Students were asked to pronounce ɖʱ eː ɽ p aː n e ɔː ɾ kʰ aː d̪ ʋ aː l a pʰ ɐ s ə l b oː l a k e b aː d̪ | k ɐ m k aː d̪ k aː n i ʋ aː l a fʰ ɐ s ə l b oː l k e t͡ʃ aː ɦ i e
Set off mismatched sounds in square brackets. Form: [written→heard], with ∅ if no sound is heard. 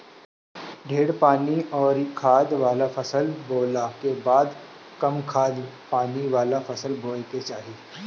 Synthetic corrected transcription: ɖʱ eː ɽ p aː n [e→i] ɔː ɾ kʰ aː d̪ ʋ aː l a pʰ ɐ s ə l b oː l a k e b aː d̪ | k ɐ m [k→kʰ] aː d̪ [k→p] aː n i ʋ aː l a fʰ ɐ s ə l b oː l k e t͡ʃ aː ɦ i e